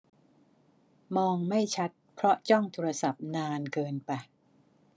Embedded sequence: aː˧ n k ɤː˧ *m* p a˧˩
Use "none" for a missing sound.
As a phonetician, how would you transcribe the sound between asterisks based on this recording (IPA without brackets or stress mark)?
n